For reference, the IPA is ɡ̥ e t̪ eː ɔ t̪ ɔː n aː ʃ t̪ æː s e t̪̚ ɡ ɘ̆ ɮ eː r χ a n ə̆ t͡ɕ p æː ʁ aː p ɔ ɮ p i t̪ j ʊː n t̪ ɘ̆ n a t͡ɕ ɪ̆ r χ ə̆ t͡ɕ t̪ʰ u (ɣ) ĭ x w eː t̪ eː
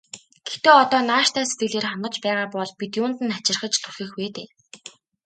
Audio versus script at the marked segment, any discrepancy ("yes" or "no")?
yes